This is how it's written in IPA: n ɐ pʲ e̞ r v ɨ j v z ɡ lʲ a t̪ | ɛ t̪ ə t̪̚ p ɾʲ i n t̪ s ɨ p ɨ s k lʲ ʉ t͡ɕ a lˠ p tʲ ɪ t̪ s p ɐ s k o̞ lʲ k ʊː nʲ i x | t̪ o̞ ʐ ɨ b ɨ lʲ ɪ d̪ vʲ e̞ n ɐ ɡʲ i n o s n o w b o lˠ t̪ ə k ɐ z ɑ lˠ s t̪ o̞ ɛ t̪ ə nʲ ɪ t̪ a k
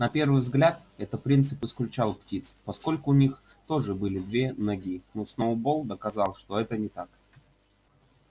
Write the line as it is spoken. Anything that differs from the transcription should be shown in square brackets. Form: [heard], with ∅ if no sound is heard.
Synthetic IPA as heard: n ɐ pʲ e̞ r v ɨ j v z ɡ lʲ a t̪ | ɛ t̪ ə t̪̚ p ɾʲ i n t̪ s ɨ p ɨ s k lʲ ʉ t͡ɕ a lˠ p tʲ [i] t̪ s p ɐ s k o̞ lʲ k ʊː nʲ i x | t̪ o̞ ʐ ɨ b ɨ lʲ ɪ d̪ vʲ e̞ n ɐ ɡʲ i n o s n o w b o lˠ [d̪] ə k ɐ z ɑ lˠ [ʂ] t̪ o̞ ɛ t̪ ə nʲ ɪ t̪ a k